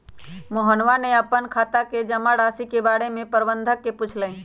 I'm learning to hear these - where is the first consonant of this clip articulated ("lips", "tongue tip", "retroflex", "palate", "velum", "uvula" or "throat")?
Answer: lips